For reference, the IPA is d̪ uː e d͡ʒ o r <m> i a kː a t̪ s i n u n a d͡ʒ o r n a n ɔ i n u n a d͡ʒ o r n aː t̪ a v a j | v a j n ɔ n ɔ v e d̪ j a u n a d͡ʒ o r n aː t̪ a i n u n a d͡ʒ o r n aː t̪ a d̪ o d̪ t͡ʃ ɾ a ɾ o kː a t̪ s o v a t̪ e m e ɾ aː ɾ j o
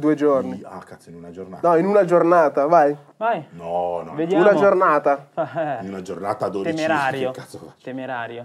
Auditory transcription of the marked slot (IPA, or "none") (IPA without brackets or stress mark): n